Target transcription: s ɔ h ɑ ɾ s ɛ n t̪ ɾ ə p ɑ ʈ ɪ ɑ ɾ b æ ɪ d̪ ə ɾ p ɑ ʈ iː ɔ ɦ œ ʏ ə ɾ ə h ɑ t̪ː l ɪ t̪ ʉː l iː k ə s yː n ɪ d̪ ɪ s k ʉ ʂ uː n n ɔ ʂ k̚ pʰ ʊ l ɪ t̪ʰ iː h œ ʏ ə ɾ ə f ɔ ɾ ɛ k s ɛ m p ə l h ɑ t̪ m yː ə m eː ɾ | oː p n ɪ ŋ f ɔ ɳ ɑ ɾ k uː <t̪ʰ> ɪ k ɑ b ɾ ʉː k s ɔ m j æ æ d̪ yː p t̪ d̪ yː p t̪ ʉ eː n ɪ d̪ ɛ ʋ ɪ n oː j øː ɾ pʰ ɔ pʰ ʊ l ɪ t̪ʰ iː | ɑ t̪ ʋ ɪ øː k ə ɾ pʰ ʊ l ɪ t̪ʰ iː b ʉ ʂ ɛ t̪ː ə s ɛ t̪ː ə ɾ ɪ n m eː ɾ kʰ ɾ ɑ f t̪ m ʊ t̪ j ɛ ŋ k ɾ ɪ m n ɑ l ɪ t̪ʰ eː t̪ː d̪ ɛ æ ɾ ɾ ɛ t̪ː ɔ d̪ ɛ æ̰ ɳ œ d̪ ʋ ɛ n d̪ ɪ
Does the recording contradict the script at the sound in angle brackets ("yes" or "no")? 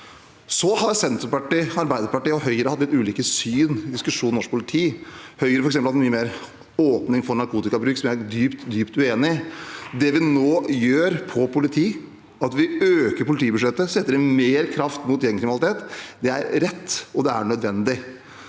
yes